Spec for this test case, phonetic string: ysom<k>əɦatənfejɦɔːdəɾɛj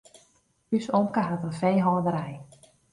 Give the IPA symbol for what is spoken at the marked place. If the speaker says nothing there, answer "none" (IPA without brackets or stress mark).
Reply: k